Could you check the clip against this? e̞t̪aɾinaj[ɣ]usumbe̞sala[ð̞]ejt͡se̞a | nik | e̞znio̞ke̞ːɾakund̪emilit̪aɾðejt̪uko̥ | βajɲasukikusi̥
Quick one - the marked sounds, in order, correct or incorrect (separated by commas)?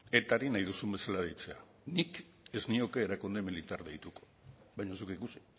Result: incorrect, correct